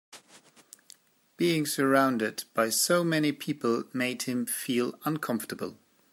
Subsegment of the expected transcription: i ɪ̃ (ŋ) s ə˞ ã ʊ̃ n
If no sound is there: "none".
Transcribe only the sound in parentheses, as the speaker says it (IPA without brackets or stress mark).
ŋ